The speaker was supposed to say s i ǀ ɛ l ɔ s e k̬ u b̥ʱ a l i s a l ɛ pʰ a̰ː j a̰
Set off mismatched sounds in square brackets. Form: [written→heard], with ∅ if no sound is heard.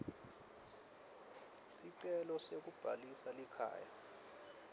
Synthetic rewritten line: s i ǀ ɛ l ɔ s e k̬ u b̥ʱ a l i s a l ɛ [pʰ→kʰ] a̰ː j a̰